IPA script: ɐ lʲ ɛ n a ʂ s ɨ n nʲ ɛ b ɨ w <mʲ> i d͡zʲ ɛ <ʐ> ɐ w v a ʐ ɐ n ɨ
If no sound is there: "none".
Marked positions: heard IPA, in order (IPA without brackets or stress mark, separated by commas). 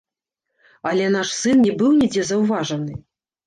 nʲ, z